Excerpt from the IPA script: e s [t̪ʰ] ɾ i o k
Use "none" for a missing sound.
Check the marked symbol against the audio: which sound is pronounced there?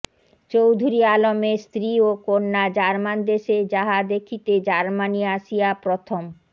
t̪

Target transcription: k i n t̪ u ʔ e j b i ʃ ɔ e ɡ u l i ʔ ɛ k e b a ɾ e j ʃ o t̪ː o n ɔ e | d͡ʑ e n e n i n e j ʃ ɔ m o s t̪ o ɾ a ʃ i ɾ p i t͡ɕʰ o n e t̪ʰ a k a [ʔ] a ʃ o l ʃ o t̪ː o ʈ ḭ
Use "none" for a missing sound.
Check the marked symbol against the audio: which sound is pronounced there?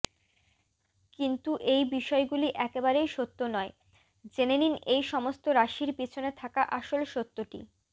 ʔ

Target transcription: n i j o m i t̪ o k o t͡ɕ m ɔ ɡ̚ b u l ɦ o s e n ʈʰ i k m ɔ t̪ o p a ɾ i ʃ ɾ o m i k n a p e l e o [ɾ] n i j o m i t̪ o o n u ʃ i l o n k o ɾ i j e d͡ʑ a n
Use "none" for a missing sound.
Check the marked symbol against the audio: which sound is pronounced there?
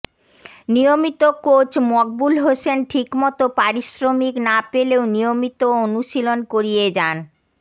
none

